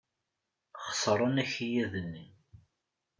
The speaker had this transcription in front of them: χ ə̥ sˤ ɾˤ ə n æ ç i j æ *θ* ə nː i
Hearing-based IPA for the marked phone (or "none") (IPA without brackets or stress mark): ð